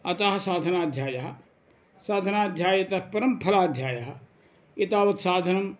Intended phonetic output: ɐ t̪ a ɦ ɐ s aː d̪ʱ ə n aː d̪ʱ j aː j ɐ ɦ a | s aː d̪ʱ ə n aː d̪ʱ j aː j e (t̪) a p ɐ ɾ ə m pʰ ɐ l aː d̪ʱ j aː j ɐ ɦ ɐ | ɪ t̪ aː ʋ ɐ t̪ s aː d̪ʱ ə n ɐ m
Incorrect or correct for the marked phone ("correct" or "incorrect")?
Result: correct